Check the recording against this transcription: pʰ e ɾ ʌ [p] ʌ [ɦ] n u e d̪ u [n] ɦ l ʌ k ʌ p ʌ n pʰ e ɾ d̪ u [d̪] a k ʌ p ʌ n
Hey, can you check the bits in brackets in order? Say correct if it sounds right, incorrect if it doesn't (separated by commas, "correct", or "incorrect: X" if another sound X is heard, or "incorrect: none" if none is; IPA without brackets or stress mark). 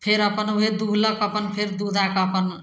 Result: correct, incorrect: none, incorrect: none, correct